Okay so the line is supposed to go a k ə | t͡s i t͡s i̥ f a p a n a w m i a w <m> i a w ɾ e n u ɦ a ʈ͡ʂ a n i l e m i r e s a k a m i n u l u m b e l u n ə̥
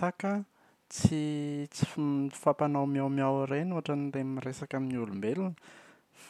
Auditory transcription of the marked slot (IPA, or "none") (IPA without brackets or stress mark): m